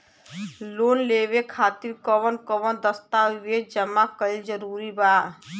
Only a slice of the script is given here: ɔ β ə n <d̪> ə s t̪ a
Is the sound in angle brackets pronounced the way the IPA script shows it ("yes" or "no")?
yes